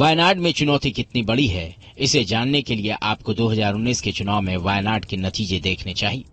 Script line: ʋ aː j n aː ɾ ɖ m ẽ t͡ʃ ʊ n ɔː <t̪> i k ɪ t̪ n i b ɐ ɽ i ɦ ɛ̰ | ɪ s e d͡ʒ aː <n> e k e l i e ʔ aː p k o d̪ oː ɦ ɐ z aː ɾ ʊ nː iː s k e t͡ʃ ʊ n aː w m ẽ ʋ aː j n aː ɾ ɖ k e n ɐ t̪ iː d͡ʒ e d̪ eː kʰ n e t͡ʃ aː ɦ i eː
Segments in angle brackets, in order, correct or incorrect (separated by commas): correct, incorrect